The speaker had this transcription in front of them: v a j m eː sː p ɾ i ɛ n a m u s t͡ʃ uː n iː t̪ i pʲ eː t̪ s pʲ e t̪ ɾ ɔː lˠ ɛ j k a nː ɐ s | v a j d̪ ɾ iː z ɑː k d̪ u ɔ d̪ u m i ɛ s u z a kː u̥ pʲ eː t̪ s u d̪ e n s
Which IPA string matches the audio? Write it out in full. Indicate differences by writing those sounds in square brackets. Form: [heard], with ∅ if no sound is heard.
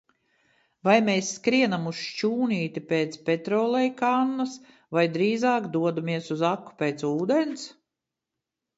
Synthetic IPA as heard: v a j m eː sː [k] ɾ i ɛ n a m u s t͡ʃ uː n iː t̪ i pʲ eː t̪ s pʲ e t̪ ɾ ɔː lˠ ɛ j k a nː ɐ s | v a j d̪ ɾ iː z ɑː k d̪ u ɔ d̪ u m i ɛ s u z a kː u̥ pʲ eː t̪ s [uː] d̪ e n s